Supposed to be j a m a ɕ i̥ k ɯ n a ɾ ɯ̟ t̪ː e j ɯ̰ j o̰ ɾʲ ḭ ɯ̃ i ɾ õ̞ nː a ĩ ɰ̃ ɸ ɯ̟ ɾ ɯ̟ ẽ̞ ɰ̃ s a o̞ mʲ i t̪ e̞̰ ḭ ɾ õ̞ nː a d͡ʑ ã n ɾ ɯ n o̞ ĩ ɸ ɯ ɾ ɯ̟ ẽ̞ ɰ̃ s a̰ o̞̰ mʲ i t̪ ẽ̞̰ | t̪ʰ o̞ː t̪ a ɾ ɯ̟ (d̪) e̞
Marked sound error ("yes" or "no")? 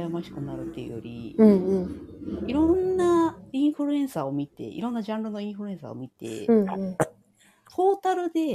no